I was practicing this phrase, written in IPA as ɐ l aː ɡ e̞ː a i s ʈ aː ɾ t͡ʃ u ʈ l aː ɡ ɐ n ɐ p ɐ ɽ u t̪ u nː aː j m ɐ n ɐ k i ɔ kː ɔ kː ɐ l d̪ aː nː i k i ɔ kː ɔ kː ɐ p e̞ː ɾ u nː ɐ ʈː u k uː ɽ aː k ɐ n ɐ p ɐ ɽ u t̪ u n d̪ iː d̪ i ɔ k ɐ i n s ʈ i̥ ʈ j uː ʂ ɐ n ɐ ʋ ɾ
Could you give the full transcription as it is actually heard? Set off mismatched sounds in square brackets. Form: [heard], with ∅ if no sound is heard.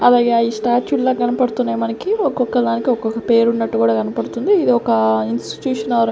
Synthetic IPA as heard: ɐ l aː ɡ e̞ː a i s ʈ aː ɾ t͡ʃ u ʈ l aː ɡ ɐ n ɐ p ɐ ɽ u t̪ u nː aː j m ɐ n ɐ k i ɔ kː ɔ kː ɐ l d̪ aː [n] i k i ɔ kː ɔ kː ɐ p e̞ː ɾ u nː ɐ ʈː u k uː ɽ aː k ɐ n ɐ p ɐ ɽ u t̪ u n d̪ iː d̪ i ɔ k ɐ i n s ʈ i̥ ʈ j uː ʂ ɐ n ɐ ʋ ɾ